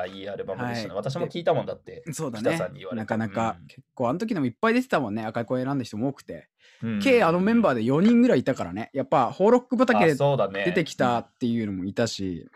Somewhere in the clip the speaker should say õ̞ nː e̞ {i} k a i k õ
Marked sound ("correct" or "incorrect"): incorrect